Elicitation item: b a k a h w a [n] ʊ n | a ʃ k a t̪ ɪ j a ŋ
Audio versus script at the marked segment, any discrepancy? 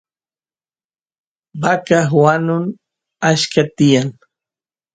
no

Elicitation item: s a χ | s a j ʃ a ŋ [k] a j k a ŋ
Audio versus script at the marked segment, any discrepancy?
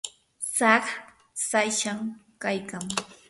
no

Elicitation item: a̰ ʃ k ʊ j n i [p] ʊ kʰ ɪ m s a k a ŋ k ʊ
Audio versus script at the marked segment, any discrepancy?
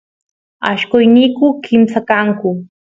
yes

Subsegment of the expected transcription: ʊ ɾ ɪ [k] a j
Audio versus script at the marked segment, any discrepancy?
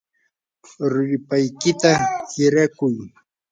yes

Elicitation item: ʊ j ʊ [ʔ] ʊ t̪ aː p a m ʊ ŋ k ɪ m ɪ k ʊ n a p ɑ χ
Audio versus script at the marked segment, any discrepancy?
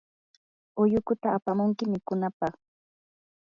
yes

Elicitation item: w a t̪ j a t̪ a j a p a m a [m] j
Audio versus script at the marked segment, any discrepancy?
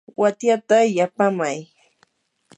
yes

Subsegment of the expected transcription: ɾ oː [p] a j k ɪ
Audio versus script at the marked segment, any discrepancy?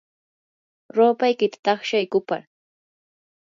no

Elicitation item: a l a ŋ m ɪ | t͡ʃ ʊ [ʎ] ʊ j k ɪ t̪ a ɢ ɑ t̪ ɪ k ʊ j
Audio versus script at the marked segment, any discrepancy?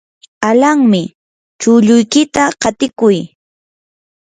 no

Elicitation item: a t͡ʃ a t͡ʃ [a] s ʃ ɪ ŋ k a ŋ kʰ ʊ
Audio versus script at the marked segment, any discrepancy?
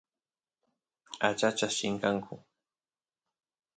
no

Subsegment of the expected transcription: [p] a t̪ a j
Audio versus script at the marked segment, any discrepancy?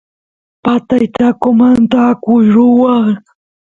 no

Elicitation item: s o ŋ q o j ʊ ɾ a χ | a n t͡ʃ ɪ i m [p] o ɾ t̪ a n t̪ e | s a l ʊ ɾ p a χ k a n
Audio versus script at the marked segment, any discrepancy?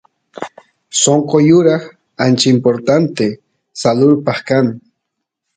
no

